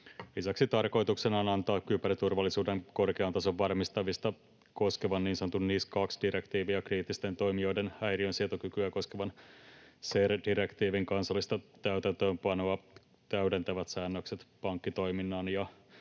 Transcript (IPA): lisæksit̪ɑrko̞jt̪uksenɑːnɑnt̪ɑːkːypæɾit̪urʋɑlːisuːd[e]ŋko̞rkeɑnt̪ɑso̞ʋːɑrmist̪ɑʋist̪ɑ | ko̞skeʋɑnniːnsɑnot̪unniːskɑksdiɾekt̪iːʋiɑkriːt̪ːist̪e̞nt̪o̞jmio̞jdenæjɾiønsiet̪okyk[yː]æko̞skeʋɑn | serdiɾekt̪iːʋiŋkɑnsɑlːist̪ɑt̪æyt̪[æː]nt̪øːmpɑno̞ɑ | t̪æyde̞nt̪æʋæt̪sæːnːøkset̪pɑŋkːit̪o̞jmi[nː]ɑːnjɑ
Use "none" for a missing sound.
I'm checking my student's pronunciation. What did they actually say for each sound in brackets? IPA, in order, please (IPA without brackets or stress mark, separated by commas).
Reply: e, y, æ, nː